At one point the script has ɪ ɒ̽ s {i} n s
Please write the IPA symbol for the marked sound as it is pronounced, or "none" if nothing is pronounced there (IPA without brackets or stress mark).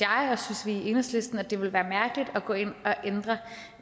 y